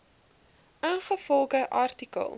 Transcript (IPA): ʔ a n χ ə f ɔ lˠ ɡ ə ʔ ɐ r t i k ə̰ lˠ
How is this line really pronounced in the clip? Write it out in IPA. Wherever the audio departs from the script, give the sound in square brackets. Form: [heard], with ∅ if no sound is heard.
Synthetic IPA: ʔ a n χ ə f ɔ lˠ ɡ ə ʔ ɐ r t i k ə̰ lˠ

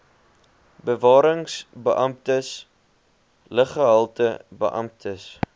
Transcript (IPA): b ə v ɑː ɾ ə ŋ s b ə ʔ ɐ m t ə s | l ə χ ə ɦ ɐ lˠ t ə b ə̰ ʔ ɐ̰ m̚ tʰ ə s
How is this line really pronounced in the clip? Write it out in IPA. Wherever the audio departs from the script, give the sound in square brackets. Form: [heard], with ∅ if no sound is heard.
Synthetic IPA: b ə v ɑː ɾ ə ŋ s b ə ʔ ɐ m t ə s | l ə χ ə ɦ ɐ lˠ t ə b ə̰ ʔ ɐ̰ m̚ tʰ ə s

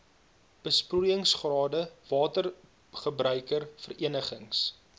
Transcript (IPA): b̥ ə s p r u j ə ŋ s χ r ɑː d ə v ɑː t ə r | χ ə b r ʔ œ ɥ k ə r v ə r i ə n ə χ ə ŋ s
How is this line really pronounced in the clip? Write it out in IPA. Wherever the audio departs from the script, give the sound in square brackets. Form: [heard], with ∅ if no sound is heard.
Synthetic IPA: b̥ ə s p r u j ə ŋ s χ r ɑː d ə v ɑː t ə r | χ ə b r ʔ œ ɥ k ə r [f] ə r i ə n ə χ ə ŋ s

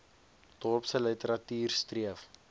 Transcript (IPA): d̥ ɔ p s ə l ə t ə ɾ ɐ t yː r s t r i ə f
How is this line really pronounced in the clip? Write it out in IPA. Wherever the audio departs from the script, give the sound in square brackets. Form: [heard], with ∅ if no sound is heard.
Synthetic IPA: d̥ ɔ p s ə l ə t ə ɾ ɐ t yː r s t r i ə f

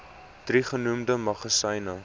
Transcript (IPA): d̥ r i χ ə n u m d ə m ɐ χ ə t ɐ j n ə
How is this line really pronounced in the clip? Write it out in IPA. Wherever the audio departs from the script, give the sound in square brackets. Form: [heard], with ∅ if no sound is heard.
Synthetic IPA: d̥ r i χ ə n u m d ə m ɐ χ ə [s] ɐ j n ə

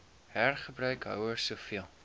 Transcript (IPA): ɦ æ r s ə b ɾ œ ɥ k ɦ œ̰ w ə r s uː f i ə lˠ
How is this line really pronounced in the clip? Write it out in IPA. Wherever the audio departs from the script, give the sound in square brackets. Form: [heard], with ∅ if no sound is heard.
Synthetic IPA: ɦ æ r [χ] ə b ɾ œ ɥ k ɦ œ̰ w ə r s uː f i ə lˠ

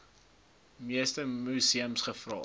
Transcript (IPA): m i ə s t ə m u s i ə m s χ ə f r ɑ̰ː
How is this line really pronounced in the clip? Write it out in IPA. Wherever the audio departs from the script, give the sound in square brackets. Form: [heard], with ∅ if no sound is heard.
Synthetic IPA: m i ə s t ə m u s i ə m s χ ə f r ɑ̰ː

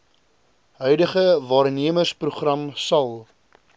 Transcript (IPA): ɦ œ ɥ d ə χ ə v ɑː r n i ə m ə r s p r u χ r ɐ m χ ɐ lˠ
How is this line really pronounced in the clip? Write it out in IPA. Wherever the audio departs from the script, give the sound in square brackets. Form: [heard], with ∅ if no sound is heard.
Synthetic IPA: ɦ œ ɥ d ə χ ə v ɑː r n i ə m ə r s p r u χ r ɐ m [s] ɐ lˠ

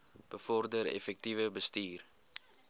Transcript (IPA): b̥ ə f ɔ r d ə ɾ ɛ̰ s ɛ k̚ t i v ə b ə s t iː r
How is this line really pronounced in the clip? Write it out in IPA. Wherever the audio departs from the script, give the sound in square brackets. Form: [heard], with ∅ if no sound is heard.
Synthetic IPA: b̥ ə f ɔ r d ə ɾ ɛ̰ [f] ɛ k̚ t i v ə b ə s t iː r

